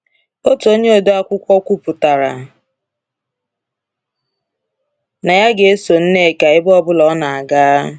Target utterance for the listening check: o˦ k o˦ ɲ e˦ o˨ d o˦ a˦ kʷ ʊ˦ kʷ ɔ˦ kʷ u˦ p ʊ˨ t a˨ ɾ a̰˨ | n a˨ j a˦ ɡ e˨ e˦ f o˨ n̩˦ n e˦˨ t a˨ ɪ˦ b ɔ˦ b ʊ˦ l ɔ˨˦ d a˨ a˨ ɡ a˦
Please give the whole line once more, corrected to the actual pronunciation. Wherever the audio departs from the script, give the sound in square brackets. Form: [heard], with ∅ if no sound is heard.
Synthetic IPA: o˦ [t] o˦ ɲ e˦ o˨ d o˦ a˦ kʷ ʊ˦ kʷ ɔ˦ kʷ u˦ p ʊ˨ t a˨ ɾ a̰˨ | n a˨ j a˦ ɡ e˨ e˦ [s] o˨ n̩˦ n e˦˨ [k] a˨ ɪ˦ b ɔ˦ b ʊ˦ l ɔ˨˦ [n] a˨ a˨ ɡ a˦